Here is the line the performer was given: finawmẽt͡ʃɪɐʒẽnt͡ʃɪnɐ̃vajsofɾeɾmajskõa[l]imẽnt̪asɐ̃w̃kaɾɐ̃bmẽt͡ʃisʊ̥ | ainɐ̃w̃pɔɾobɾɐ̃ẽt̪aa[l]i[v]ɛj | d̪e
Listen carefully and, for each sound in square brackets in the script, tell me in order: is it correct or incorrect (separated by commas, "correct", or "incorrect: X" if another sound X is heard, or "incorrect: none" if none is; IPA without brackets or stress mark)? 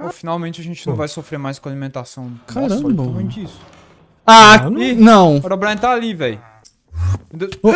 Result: correct, correct, correct